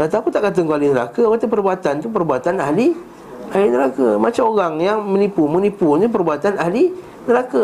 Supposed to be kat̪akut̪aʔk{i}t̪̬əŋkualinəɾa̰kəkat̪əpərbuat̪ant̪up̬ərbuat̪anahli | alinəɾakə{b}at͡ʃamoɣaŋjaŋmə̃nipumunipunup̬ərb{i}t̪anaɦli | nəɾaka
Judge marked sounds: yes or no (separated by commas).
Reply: no, no, no